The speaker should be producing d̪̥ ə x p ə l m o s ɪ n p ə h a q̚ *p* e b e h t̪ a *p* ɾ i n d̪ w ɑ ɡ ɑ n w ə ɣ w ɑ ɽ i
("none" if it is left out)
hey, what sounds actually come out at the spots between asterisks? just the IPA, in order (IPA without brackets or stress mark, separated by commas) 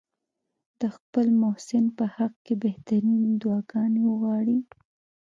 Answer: k, none